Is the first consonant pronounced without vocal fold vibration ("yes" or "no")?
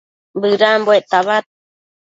no